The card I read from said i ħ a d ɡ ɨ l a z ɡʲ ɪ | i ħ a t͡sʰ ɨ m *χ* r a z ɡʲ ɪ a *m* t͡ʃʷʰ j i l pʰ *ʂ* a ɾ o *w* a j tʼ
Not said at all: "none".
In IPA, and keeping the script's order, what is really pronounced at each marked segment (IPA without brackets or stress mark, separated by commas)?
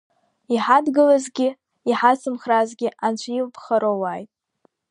χ, n, χ, w